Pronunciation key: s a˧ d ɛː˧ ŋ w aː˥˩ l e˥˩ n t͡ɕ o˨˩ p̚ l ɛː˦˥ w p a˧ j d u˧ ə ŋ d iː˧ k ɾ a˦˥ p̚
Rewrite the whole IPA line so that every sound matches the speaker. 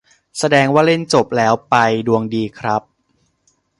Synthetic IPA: s a˧ d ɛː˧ ŋ w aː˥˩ l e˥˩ n t͡ɕ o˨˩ p̚ l ɛː˦˥ w p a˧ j d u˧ ə ŋ d iː˧ kʰ ɾ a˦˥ p̚